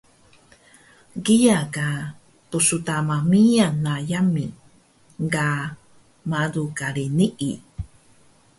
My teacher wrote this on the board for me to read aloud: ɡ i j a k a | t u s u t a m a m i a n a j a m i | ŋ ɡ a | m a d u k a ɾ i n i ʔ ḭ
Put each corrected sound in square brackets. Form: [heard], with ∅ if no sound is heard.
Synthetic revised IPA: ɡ i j a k a | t u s u t a m a m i a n a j a m i | ŋ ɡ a | m a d u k a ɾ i n i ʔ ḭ